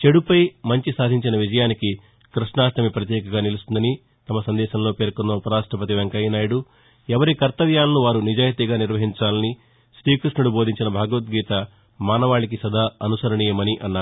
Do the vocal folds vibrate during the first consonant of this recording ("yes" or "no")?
no